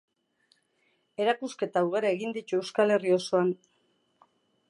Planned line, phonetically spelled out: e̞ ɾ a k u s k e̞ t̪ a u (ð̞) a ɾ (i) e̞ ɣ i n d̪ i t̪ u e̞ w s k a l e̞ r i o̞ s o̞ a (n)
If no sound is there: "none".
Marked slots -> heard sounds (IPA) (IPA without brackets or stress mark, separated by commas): ɣ̞, a, n